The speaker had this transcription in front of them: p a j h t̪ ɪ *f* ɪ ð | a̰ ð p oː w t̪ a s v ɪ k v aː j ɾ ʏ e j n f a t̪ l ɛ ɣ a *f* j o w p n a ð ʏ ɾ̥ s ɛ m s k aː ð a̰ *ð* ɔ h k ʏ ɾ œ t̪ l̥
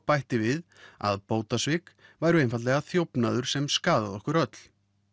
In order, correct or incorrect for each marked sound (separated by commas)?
incorrect, incorrect, correct